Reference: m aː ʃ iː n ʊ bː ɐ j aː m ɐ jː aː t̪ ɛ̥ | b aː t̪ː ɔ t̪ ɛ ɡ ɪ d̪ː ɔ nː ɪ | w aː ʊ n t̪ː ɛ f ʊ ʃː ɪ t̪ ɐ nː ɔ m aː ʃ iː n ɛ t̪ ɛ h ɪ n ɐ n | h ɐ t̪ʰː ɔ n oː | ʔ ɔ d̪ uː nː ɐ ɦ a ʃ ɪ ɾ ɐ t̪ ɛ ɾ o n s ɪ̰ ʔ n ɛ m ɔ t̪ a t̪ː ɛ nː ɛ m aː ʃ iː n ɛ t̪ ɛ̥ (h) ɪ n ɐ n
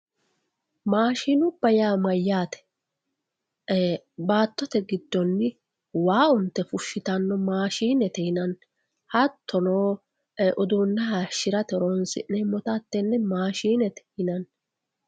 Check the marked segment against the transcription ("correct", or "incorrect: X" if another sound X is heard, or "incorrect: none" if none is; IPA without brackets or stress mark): correct